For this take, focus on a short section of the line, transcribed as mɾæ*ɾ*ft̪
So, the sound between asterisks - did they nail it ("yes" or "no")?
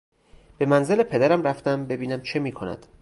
no